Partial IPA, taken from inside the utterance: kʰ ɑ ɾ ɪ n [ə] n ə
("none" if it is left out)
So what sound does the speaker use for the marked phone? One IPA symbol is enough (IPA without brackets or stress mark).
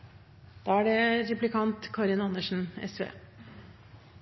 ɑ